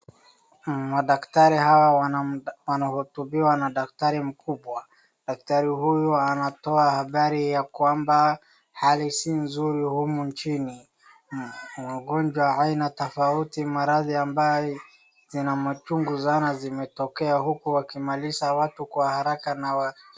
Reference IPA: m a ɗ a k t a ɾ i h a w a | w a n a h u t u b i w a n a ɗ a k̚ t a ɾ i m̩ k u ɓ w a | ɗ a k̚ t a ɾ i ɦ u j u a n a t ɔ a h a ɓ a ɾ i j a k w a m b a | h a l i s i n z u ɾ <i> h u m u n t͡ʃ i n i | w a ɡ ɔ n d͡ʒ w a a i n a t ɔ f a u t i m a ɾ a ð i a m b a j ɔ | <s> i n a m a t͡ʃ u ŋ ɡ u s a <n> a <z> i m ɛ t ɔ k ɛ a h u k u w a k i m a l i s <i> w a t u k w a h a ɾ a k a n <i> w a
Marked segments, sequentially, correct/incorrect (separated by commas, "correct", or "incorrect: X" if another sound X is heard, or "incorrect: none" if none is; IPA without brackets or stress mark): correct, incorrect: z, correct, correct, incorrect: a, incorrect: a